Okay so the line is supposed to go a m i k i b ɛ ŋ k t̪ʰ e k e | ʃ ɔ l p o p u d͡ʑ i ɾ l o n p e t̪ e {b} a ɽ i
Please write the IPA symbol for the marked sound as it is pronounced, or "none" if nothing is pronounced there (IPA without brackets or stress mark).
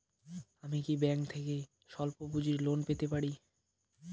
p